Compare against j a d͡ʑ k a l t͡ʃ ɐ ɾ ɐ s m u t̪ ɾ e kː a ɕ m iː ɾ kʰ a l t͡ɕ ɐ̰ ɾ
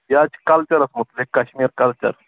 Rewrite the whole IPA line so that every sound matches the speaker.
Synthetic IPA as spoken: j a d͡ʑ k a l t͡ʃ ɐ ɾ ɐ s m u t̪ l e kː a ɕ m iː ɾ k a l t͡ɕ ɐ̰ ɾ